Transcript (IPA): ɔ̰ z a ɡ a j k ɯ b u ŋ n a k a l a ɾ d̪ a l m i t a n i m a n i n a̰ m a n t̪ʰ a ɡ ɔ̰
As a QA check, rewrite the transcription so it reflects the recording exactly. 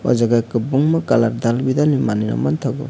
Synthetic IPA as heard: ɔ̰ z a ɡ a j k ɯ b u ŋ m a k a l a ɾ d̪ a l b i d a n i m a n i n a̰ m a n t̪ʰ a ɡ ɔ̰

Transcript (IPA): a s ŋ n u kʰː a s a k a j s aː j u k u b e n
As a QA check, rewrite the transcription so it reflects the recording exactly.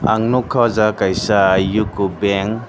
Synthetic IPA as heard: a ŋ n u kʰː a z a k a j s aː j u k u b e ŋ

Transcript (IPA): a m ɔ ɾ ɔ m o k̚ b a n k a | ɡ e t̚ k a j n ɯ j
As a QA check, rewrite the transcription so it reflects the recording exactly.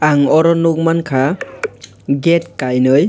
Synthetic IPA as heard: a ŋ ɔ ɾ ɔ n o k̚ m a n kʰ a | ɡ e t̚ k a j n ɯ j

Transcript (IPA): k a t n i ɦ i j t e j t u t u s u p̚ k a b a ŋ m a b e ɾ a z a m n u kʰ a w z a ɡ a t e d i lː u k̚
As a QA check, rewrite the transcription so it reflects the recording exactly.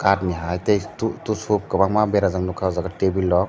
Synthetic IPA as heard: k a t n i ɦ a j t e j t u t u s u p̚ k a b a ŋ m a b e ɾ a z a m n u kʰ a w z a ɡ a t e b i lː ɔ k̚

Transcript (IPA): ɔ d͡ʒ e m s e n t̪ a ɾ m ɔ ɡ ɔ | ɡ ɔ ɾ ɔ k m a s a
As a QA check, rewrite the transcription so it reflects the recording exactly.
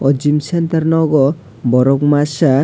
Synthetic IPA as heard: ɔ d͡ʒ i m s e n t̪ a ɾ n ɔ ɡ ɔ | b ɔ ɾ ɔ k m a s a

